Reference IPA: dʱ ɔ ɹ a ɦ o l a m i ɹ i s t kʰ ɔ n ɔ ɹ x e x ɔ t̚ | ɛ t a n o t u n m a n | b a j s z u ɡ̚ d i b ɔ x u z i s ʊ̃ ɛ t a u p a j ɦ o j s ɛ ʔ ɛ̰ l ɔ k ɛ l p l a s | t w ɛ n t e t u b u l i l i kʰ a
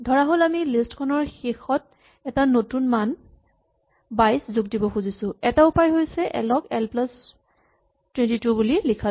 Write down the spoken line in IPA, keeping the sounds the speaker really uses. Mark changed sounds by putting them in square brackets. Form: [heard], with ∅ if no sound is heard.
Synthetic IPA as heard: dʱ ɔ ɹ a ɦ o l a m i [l] i s t kʰ ɔ n ɔ ɹ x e x ɔ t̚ | ɛ t a n o t u n m a n | b a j s z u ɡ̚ d i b ɔ x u z i s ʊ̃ ɛ t a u p a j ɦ o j s ɛ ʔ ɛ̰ l ɔ k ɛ l p l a s | t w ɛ n t [i] t u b u l i l i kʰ a